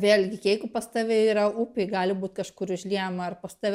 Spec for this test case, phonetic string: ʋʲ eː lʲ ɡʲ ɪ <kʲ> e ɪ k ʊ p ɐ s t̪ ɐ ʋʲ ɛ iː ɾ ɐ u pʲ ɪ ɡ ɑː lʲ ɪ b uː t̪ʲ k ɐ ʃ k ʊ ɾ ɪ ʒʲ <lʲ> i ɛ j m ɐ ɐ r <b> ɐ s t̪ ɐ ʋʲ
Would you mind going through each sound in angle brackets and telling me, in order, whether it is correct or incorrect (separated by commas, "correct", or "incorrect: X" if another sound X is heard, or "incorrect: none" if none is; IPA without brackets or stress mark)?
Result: correct, correct, incorrect: p